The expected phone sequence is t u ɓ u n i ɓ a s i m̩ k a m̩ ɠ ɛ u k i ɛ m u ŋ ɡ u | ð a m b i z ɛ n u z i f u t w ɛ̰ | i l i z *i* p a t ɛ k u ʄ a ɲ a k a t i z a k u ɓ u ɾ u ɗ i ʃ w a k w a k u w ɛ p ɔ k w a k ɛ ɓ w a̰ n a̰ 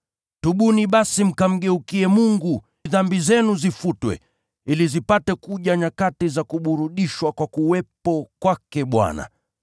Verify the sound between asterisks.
correct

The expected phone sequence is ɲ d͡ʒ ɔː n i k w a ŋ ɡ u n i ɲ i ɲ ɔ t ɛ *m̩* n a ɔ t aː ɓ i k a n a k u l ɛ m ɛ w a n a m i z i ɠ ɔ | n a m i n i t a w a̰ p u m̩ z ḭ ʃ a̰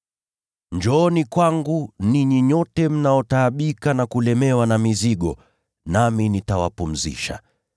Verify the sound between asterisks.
correct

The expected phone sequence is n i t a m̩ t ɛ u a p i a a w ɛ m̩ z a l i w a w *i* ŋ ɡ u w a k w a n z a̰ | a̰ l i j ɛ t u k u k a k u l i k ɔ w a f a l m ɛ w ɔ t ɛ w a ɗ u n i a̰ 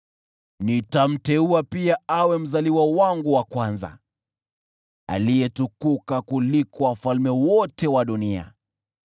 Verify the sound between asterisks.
incorrect: a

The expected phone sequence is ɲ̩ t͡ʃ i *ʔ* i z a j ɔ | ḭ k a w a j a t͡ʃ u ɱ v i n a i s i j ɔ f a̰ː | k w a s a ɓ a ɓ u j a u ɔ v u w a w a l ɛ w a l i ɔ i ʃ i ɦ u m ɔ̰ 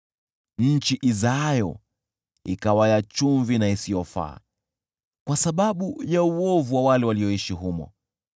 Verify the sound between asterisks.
correct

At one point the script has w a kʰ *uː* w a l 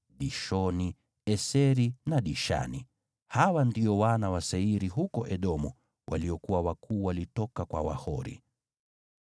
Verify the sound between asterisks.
correct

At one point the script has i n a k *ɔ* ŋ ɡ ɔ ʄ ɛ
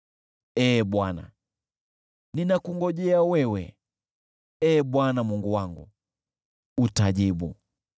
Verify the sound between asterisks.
incorrect: u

